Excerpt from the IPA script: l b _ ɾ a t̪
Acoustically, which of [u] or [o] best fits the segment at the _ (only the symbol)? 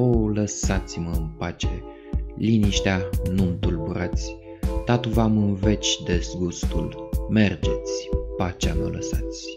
u